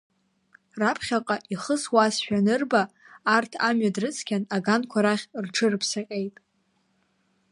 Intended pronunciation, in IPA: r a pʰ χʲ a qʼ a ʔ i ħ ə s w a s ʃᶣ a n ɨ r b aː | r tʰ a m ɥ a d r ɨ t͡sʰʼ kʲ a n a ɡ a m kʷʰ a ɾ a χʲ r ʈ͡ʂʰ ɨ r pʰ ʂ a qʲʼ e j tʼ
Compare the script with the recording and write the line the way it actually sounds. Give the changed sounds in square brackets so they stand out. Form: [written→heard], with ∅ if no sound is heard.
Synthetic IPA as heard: r a pʰ χʲ a qʼ a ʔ i [ħ→χ] ə s w a s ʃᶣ a n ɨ r b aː | r tʰ a m ɥ a d r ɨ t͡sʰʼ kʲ a n a ɡ a [m→n] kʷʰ a ɾ a χʲ r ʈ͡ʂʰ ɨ r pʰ [ʂ→s] a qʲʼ e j tʼ